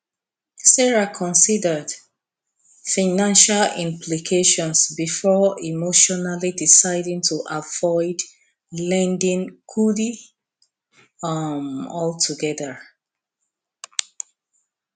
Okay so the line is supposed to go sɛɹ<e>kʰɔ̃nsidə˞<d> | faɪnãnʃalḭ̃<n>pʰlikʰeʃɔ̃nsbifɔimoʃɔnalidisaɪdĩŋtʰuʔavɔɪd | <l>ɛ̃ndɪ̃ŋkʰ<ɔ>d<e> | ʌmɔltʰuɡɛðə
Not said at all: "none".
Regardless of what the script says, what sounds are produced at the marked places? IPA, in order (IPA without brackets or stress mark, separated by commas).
a, d, m, l, u, i